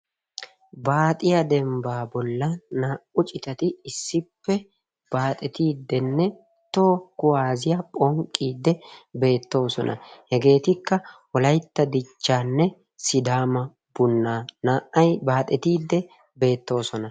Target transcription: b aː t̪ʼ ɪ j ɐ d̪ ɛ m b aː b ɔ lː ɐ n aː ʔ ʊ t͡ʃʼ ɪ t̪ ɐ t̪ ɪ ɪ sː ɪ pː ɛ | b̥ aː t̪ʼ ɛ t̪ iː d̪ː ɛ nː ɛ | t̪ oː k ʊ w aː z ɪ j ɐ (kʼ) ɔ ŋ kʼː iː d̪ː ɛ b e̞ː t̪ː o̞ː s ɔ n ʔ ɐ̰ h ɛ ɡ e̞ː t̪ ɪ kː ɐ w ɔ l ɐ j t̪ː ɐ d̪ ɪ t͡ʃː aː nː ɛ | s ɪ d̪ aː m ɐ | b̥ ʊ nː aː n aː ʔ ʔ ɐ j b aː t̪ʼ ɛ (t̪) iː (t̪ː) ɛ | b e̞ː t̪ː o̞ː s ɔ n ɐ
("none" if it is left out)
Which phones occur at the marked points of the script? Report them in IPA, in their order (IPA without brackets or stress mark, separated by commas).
pʼ, t̪, d̪ː